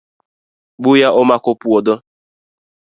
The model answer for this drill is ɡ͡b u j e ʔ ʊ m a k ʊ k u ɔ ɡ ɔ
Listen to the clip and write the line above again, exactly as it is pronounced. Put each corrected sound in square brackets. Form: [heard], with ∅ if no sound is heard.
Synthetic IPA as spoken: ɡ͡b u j [a] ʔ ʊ m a k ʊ [p] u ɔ [d] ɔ